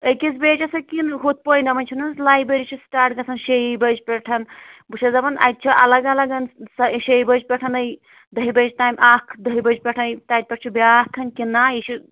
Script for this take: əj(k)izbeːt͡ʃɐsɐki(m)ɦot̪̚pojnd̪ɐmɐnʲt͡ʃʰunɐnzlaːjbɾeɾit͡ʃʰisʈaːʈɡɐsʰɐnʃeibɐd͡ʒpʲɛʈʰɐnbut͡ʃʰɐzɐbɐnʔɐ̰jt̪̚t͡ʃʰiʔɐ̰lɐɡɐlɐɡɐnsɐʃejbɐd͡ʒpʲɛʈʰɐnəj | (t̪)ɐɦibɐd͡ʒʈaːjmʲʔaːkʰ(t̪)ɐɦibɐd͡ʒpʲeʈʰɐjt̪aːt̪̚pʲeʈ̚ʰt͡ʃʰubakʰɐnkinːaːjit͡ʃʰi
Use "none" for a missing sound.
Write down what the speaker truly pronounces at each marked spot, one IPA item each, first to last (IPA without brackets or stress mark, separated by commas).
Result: k, n, d̪, d̪